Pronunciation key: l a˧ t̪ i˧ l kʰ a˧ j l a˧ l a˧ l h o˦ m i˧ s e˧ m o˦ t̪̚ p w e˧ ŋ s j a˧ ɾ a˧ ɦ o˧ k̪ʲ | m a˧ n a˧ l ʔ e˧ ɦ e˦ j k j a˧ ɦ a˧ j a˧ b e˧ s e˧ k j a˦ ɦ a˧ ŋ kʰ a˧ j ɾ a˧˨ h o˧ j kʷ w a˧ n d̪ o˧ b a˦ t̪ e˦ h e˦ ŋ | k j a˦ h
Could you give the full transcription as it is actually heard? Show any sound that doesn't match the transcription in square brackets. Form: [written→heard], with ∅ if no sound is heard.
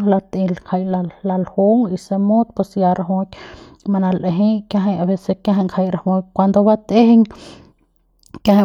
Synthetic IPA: l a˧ t̪ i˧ l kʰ a˧ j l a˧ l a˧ l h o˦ [m→ŋ] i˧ s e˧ m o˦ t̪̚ p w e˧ [ŋ→∅] s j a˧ ɾ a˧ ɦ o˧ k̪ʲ | m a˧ n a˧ l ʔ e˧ ɦ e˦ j k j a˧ ɦ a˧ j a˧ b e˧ s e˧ k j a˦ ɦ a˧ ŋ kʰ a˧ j ɾ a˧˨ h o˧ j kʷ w a˧ n d̪ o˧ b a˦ t̪ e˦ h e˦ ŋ | k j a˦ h